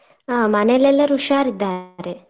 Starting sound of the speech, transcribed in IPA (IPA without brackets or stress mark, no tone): m